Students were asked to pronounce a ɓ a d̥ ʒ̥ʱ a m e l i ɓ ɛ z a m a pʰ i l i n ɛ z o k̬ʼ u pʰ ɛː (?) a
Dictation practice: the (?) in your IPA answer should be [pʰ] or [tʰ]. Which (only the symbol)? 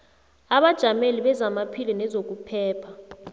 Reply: pʰ